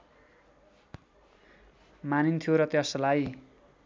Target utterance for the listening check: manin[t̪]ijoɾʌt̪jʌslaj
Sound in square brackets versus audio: incorrect: t̪ʰ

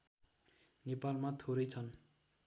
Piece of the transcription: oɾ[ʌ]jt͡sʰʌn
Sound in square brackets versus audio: correct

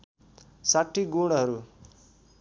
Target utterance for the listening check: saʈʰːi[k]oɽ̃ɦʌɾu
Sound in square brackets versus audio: incorrect: ɡ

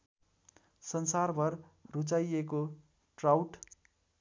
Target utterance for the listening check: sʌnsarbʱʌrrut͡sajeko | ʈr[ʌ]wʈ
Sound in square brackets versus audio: incorrect: a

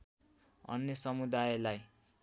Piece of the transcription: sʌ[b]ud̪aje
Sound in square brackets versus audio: incorrect: m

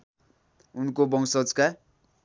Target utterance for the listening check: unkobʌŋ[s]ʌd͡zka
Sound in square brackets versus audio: correct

